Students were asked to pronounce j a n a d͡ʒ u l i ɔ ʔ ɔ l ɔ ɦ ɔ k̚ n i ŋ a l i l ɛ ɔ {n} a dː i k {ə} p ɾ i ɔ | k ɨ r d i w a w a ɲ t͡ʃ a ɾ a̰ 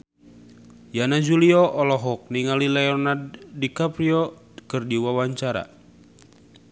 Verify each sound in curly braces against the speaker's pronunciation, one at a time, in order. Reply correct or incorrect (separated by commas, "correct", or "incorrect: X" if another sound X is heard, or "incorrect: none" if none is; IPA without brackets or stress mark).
correct, incorrect: a